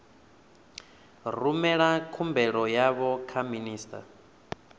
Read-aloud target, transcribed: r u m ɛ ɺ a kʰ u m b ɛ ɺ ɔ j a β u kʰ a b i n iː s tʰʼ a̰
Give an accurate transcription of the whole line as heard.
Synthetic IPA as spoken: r u m ɛ ɺ a kʰ u m b ɛ ɺ ɔ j a β ɔ kʰ a m i n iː s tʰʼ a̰